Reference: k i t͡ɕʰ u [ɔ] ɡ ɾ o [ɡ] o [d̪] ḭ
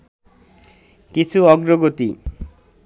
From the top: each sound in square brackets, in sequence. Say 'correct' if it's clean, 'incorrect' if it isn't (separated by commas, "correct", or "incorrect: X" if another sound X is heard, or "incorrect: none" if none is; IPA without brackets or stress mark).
correct, correct, incorrect: t̪